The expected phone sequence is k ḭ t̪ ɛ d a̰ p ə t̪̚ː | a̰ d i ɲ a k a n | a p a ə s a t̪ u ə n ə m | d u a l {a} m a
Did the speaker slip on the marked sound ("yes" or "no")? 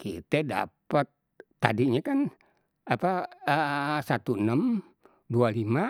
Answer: yes